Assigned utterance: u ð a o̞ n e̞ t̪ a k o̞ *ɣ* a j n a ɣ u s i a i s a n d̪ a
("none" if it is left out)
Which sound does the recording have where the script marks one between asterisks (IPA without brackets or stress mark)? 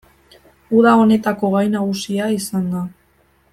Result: ɣ